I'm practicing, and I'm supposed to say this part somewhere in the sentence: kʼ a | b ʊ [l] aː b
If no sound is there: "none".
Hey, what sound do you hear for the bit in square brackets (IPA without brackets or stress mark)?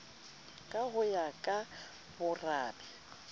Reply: r